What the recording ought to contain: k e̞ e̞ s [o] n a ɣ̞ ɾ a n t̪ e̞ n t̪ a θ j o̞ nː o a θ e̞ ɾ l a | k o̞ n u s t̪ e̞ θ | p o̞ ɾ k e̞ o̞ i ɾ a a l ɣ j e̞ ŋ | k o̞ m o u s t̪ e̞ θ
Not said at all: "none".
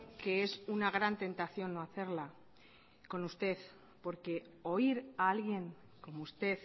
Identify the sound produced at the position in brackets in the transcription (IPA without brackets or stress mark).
u